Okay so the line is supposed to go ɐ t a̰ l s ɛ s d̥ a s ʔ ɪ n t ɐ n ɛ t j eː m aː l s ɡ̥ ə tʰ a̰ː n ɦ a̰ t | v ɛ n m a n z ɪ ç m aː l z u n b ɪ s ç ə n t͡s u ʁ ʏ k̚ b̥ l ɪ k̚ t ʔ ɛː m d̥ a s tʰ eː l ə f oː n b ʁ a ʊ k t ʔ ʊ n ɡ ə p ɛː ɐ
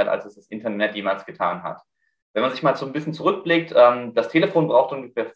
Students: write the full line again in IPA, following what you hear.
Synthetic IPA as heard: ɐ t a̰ l s ɛ s d̥ a s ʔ ɪ n t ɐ n ɛ t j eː m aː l s ɡ̥ ə tʰ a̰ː n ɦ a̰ t | v ɛ n m a n z ɪ ç m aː l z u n b ɪ s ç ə n t͡s u ʁ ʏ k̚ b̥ l ɪ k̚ t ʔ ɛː m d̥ a s tʰ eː l ə f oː n b ʁ a ʊ x t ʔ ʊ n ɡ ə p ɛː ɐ